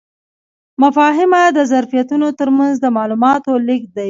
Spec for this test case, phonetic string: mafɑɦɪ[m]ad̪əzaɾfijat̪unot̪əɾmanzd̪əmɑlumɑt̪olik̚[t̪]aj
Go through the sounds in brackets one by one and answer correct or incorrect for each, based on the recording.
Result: correct, incorrect

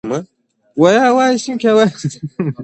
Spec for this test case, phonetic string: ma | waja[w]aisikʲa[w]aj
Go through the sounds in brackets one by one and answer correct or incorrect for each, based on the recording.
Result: correct, correct

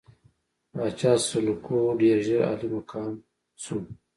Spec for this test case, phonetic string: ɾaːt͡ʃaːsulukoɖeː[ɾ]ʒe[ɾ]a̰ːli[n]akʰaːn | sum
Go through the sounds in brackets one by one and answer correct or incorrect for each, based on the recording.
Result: correct, correct, incorrect

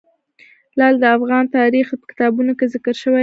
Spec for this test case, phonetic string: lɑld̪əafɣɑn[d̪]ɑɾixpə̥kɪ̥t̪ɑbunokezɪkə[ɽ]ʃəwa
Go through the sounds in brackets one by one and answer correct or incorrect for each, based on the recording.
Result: incorrect, incorrect

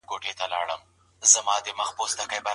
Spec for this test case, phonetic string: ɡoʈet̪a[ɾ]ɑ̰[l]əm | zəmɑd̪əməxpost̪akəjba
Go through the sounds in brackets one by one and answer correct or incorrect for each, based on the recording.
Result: incorrect, incorrect

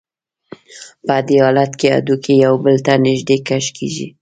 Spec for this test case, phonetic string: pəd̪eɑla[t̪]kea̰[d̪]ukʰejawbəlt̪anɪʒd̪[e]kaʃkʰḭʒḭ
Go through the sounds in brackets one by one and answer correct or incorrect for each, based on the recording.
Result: correct, correct, correct

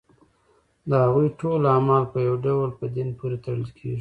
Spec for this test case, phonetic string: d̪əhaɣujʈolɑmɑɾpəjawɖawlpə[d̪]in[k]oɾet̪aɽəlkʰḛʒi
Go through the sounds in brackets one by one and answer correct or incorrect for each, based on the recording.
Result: correct, incorrect

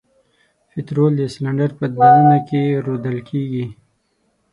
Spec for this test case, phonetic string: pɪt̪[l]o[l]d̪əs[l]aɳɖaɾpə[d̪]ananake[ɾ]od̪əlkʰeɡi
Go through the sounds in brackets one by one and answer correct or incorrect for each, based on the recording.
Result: incorrect, correct, correct, correct, correct

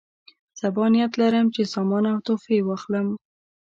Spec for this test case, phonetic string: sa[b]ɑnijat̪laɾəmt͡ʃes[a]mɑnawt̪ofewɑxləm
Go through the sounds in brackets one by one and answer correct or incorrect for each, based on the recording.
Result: correct, incorrect

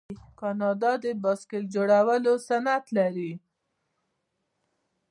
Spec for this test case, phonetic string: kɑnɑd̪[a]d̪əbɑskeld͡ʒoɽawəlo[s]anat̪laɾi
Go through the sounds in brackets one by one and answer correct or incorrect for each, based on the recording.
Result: incorrect, correct

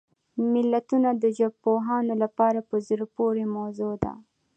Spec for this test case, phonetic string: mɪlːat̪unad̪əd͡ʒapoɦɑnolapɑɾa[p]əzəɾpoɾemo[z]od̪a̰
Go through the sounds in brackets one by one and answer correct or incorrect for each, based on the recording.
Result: correct, correct

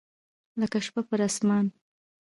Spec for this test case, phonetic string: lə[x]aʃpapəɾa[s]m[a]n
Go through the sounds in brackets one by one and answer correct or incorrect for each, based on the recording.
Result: incorrect, correct, incorrect

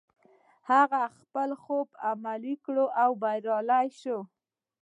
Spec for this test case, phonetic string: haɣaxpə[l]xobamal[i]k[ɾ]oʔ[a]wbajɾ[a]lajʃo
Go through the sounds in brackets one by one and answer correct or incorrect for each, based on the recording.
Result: correct, correct, incorrect, correct, incorrect

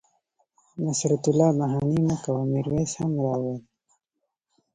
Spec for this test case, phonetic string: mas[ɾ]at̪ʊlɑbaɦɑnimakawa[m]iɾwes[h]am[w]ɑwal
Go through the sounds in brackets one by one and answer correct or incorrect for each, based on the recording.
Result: correct, correct, correct, correct

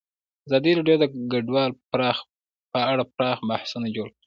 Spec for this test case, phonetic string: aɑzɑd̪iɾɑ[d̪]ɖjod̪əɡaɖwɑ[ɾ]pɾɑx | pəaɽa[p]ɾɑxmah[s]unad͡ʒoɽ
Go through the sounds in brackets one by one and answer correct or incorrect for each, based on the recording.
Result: incorrect, incorrect, correct, correct

